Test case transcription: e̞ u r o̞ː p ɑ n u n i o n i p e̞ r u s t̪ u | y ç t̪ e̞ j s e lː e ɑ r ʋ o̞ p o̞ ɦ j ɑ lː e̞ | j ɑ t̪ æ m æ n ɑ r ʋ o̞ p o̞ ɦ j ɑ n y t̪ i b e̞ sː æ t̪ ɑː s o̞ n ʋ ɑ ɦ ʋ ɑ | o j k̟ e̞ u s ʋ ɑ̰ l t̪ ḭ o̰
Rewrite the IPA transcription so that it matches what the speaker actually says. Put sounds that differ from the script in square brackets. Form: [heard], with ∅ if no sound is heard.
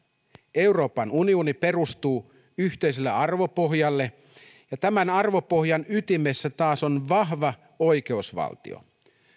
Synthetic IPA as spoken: e̞ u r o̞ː p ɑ n u n i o n i p e̞ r u s t̪ [uː] | y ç t̪ e̞ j s e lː e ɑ r ʋ o̞ p o̞ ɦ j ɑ lː e̞ | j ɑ t̪ æ m æ n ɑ r ʋ o̞ p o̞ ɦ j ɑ n y t̪ i [m] e̞ sː æ t̪ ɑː s o̞ n ʋ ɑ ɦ ʋ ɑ | o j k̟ e̞ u s ʋ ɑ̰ l t̪ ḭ o̰